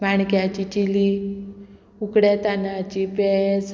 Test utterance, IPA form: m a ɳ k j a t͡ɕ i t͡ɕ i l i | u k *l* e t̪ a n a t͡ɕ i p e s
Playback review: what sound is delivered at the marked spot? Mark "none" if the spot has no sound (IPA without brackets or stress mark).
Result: ɽ